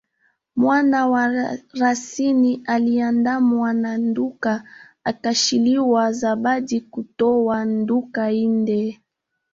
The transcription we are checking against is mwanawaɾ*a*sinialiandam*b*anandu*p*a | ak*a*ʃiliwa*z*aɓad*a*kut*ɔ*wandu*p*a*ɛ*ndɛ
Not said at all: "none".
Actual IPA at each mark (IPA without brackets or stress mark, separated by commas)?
a, w, k, a, z, i, ɔ, k, i